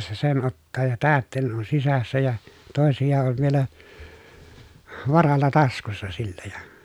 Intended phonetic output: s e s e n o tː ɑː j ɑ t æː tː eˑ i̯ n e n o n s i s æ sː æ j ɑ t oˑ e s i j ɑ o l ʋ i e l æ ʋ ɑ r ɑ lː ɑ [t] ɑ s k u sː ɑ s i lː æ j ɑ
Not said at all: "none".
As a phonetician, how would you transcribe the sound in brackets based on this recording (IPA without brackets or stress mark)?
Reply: t